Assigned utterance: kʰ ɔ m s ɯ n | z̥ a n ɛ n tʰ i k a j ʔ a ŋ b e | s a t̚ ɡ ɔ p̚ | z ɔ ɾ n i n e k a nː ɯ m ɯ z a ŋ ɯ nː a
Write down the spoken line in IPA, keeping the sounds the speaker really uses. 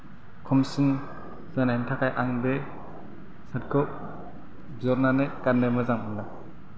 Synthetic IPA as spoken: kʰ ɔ m s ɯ n | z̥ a n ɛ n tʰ a k a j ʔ a ŋ b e | s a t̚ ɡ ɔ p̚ | z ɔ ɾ n a n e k a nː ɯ m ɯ z a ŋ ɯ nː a